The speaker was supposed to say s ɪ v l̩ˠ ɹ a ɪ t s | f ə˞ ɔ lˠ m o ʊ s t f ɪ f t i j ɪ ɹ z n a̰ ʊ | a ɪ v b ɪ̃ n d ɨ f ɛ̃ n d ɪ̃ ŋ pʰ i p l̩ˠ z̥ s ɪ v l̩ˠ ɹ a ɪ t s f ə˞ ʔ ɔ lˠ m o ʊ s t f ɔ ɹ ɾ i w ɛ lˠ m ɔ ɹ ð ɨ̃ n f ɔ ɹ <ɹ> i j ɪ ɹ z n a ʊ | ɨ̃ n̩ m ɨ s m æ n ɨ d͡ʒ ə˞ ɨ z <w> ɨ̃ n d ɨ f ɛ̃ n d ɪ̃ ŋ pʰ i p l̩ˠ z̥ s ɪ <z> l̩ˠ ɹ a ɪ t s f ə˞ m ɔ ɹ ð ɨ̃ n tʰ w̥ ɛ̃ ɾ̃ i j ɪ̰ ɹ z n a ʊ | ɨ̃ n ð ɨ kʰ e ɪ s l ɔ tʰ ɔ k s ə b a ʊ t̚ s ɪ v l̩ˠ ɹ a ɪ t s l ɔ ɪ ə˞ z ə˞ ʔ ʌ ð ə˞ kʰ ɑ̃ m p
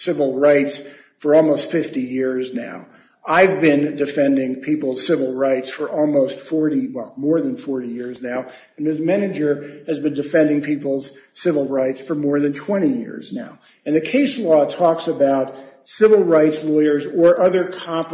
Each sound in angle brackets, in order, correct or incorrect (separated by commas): incorrect, incorrect, incorrect